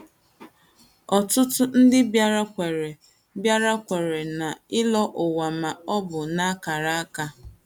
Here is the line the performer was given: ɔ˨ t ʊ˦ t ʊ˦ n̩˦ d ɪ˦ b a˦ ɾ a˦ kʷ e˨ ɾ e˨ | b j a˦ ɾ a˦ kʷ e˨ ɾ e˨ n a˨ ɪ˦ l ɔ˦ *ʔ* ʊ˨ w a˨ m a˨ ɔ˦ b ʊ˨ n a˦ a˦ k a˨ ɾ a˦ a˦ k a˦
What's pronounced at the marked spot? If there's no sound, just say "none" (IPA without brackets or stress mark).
ʔ